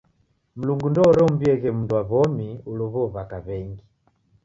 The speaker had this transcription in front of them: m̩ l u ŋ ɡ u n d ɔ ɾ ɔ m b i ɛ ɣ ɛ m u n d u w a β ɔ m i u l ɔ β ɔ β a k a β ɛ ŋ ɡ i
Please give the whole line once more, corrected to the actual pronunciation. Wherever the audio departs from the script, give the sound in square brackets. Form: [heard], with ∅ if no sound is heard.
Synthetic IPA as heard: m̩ l u ŋ ɡ u n d ɔ ɾ ɔ m b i ɛ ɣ ɛ m u n d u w a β ɔ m i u l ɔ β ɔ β a k a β ɛ ŋ ɡ i